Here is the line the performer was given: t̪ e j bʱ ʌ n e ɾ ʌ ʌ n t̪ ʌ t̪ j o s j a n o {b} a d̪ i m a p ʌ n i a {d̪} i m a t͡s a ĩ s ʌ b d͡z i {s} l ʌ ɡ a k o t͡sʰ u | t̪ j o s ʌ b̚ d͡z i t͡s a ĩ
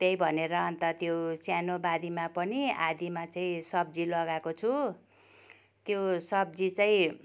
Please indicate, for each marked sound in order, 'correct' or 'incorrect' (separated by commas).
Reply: correct, correct, incorrect